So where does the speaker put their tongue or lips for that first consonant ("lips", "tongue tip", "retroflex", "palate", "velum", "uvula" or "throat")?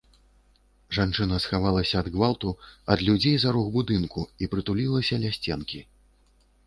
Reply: retroflex